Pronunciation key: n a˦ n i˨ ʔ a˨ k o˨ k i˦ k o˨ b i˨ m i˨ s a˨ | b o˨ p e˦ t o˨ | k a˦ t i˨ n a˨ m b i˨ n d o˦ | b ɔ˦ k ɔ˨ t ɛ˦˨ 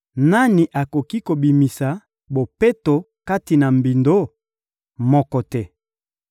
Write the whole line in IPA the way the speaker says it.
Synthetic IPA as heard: n a˦ n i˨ ʔ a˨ k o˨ k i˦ k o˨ b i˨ m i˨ s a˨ | b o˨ p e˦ t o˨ | k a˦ t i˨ n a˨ m b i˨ n d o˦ | m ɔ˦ k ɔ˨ t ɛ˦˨

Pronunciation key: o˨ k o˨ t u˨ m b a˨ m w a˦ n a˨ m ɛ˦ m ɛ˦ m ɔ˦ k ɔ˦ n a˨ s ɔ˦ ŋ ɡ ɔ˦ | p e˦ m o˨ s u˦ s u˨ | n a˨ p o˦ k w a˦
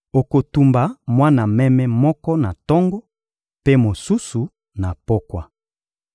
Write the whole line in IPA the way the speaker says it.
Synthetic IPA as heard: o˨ k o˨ t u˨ m b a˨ m w a˦ n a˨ m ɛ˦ m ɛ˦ m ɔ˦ k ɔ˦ n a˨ t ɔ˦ ŋ ɡ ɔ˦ | p e˦ m o˨ s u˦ s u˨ | n a˨ p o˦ k w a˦

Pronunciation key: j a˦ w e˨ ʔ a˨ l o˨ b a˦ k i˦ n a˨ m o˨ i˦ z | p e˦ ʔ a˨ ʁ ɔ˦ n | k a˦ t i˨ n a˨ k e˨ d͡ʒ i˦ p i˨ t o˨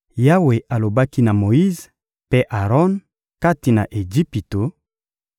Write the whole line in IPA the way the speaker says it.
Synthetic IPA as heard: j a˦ w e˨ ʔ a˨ l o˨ b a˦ k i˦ n a˨ m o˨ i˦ z | p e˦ ʔ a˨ ʁ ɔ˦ n | k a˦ t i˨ n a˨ ʔ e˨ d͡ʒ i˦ p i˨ t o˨

